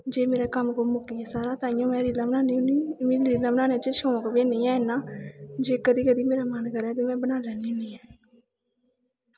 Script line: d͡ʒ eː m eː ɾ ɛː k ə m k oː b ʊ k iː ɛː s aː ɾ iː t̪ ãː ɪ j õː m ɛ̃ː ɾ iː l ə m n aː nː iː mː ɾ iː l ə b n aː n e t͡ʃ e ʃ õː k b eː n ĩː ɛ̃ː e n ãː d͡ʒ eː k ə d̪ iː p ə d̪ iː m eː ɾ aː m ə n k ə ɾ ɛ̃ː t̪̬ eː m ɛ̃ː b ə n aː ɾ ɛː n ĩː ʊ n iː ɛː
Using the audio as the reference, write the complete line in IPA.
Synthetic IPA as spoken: d͡ʒ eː m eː ɾ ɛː k ə m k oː m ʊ k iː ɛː s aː ɾ aː t̪ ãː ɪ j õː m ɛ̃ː ɾ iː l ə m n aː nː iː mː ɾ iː l ə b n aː n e t͡ʃ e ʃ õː k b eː n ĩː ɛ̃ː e n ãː d͡ʒ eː k ə d̪ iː k ə d̪ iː m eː ɾ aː m ə n k ə ɾ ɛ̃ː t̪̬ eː m ɛ̃ː b ə n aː l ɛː n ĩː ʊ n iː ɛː